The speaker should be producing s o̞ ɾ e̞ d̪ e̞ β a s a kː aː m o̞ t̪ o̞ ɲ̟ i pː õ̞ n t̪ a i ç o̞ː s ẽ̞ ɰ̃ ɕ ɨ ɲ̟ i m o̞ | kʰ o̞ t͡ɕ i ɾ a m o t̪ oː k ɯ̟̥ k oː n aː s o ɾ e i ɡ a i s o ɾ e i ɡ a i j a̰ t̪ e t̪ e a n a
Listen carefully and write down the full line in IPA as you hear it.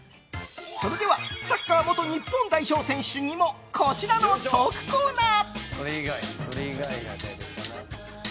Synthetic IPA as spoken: s o̞ ɾ e̞ d̪ e̞ β a s a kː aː m o̞ t̪ o̞ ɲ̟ i pː õ̞ n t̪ a i ç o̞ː s ẽ̞ ɰ̃ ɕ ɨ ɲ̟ i m o̞ | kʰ o̞ t͡ɕ i ɾ a n o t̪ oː k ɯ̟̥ k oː n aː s o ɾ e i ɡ a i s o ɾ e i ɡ a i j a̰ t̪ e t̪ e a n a

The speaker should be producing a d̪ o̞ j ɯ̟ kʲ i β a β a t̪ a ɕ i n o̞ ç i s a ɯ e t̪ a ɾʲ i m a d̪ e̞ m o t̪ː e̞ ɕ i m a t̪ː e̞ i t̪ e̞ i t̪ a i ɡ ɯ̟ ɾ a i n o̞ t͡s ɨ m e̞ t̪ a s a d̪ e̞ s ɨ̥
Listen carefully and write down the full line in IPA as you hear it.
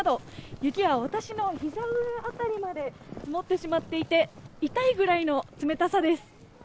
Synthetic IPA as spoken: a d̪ o̞ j ɯ̟ kʲ i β a β a t̪ a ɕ i n o̞ ç i z a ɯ a t̪ a ɾʲ i m a d̪ e̞ m o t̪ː e̞ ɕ i m a t̪ː e̞ i t̪ e̞ i t̪ a i ɡ ɯ̟ ɾ a i n o̞ t͡s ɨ m e̞ t̪ a s a d̪ e̞ s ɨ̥

